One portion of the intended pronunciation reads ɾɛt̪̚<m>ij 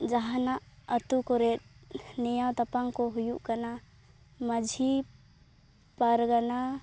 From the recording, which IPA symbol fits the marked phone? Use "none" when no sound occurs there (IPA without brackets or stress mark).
n